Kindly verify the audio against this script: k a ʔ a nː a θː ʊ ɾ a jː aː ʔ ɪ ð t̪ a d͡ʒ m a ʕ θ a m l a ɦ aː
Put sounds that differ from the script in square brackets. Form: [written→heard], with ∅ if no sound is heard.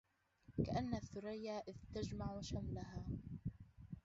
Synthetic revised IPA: k a ʔ a nː a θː ʊ ɾ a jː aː ʔ ɪ ð t̪ a d͡ʒ m a ʕ [θ→ʃ] a m l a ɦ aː

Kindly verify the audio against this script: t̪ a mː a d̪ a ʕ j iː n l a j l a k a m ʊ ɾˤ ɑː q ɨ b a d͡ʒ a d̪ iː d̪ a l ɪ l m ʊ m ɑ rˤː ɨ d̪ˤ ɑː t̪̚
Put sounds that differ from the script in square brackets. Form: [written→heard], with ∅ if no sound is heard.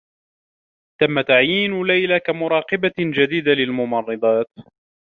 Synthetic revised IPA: t̪ a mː a [d̪→t̪] a ʕ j iː n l a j l a k a m ʊ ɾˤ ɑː q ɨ b a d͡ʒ a d̪ iː d̪ a l ɪ l m ʊ m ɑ rˤː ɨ d̪ˤ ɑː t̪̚

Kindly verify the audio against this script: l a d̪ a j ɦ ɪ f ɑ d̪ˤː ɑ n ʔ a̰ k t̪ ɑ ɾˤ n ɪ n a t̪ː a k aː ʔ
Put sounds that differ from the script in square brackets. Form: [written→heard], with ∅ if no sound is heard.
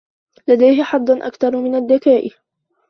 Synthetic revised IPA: l a d̪ a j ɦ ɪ [f→ħ] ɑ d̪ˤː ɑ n ʔ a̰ k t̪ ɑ ɾˤ [n→m] ɪ n a [t̪ː→d̪ː] a k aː ʔ

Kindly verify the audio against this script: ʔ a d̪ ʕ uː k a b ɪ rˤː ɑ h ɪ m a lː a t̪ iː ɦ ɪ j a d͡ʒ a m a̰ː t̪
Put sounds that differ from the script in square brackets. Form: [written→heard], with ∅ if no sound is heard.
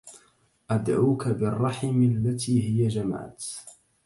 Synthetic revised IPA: ʔ a d̪ ʕ uː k a b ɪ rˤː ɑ [h→ħ] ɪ m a lː a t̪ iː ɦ ɪ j a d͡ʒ a m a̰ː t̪

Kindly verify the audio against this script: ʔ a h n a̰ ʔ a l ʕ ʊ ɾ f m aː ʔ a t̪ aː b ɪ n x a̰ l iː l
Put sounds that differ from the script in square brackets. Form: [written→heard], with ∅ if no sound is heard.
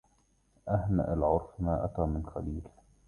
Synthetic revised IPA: ʔ a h n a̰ ʔ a l ʕ ʊ ɾ f m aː ʔ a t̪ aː [b→m] ɪ n x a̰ l iː l

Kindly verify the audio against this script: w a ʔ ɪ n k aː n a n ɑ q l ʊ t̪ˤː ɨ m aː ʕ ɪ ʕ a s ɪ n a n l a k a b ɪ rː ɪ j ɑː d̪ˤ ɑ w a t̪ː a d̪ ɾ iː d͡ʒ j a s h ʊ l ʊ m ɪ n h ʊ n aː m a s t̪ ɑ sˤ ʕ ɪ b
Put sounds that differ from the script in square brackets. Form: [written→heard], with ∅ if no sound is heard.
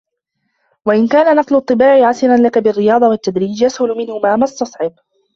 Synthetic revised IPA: w a ʔ ɪ n k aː n a n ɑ q l ʊ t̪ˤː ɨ [m→b] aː ʕ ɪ ʕ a s ɪ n a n l a k a b ɪ rː ɪ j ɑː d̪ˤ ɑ w a t̪ː a d̪ ɾ iː d͡ʒ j a s h ʊ l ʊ m ɪ n h ʊ [n→m] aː m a s t̪ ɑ sˤ ʕ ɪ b

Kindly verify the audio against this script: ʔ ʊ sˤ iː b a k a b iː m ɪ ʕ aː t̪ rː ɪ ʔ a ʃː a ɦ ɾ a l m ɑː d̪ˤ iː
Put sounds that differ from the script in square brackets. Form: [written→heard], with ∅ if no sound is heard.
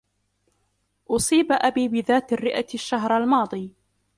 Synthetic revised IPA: ʔ ʊ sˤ iː b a [k→ʔ] a b iː [m→b] ɪ [ʕ→ð] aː t̪ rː ɪ ʔ a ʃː a ɦ ɾ a l m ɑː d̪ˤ iː

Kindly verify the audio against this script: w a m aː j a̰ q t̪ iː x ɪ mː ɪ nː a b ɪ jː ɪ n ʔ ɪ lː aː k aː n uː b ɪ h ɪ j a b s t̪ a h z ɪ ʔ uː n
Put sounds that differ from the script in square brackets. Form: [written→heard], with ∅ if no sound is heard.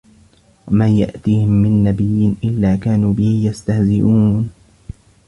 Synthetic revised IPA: w a m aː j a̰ [q→ʔ] t̪ iː [x→h] ɪ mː ɪ nː a b ɪ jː ɪ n ʔ ɪ lː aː k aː n uː b ɪ h ɪ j a [b→∅] s t̪ a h z ɪ ʔ uː n

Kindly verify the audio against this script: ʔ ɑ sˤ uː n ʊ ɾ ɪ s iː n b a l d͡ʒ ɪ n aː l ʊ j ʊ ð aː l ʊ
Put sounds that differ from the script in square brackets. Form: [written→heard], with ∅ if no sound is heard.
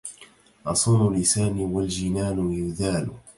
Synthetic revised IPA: ʔ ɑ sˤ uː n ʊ [ɾ→l] ɪ s [iː→aː] n [b→w] a l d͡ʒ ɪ n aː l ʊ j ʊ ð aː l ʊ

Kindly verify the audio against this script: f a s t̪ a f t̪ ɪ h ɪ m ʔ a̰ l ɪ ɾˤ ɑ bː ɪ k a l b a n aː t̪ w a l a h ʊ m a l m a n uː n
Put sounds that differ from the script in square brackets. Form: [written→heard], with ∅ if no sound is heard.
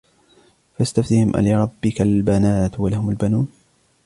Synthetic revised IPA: f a s t̪ a f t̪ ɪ h ɪ m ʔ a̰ l ɪ ɾˤ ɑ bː ɪ k a l b a n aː t̪ w a l a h ʊ m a l [m→b] a n uː n

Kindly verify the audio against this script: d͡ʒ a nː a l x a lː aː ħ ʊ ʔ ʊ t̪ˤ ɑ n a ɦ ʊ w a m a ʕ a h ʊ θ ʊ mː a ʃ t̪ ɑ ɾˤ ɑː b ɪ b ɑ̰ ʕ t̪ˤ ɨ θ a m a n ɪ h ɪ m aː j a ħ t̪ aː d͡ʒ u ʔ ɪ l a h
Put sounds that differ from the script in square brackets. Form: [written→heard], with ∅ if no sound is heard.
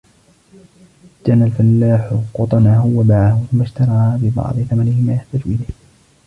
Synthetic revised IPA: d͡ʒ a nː a l [x→f] a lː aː ħ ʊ [ʔ→q] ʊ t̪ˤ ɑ n a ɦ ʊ w a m a ʕ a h ʊ θ ʊ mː a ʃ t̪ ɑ ɾˤ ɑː b ɪ b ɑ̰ ʕ [t̪ˤ→d̪ˤ] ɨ θ a m a n ɪ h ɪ m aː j a ħ t̪ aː d͡ʒ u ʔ ɪ l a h

